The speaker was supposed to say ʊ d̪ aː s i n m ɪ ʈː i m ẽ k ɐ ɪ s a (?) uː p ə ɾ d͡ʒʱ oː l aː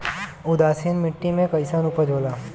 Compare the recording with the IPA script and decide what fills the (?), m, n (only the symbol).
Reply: n